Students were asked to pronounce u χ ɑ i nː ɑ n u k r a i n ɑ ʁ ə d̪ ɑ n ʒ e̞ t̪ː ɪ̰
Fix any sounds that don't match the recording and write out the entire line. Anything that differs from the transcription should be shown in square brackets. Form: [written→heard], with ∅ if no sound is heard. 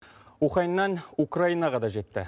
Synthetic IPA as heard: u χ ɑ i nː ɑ n u k r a i n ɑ ʁ [ə→ɑ] d̪ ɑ [n→∅] ʒ e̞ t̪ː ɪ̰